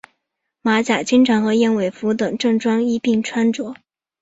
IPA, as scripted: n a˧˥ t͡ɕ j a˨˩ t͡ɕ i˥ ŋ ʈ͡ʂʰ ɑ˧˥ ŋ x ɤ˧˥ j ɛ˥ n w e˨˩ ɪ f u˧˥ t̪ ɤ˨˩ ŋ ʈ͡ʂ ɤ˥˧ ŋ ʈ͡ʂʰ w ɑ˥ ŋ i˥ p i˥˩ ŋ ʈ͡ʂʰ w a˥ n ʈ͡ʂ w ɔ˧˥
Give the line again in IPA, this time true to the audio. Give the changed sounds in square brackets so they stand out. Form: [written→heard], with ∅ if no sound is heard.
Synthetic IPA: [n→m] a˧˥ t͡ɕ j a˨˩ t͡ɕ i˥ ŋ ʈ͡ʂʰ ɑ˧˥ ŋ x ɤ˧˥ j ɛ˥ n w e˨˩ ɪ f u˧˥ t̪ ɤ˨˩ ŋ ʈ͡ʂ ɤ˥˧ ŋ [ʈ͡ʂʰ→ʈ͡ʂ] w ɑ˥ ŋ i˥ p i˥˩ ŋ ʈ͡ʂʰ w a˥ n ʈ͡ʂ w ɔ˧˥